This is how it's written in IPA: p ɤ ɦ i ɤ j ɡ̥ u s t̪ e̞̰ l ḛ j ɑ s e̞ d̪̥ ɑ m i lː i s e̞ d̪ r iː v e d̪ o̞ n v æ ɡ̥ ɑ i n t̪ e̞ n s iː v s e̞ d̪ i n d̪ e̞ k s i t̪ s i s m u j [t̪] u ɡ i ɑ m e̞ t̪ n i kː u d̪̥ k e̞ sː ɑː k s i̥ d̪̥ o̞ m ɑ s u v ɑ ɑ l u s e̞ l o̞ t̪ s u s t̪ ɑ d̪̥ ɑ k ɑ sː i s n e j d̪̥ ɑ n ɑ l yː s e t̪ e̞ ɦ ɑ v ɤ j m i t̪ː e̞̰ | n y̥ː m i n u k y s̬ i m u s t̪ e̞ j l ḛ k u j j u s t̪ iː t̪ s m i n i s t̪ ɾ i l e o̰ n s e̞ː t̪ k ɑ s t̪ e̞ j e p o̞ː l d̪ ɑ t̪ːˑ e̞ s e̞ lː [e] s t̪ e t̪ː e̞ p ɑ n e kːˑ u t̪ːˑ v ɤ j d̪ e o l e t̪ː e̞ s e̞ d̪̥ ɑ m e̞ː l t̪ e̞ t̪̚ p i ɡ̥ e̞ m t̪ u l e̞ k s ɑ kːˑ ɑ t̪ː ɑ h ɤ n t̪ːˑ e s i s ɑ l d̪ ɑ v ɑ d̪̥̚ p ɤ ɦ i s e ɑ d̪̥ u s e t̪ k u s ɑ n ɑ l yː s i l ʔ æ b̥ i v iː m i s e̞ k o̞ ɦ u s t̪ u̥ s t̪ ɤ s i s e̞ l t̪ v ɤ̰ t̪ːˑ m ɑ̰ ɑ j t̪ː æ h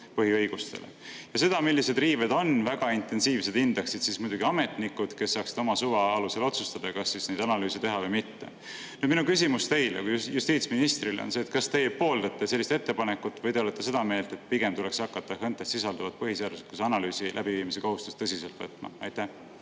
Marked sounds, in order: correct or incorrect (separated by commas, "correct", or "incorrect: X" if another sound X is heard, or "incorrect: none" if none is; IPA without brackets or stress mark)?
incorrect: d̪, incorrect: i